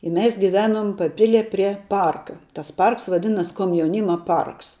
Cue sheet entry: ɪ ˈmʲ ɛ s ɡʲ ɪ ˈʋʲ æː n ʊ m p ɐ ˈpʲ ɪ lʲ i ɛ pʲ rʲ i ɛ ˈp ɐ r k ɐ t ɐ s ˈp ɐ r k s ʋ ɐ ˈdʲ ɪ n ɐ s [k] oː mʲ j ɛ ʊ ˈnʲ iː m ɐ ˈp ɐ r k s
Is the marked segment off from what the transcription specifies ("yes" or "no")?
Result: no